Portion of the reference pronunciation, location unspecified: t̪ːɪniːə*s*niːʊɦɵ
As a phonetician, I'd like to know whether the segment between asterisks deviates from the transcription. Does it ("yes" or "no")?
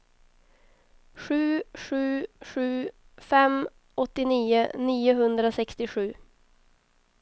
yes